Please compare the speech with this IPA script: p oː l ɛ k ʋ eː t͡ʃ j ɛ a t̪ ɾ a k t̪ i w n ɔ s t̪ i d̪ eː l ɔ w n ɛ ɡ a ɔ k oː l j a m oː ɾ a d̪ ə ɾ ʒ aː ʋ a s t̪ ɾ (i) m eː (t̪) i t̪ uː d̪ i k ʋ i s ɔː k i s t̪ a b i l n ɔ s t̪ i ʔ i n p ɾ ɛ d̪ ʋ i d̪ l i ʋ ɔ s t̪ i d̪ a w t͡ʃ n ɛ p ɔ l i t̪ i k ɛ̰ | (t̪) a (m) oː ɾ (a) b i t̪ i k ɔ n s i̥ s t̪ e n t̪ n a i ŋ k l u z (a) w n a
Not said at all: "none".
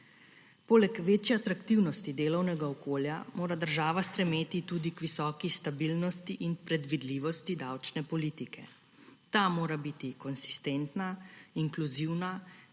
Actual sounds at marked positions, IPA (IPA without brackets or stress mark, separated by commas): ɛ, t̪, t̪, m, a, i